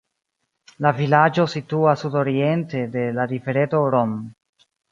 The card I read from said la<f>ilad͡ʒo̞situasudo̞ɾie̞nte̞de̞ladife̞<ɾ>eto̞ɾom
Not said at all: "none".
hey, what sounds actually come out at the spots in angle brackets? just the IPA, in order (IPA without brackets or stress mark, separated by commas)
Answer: v, ɾ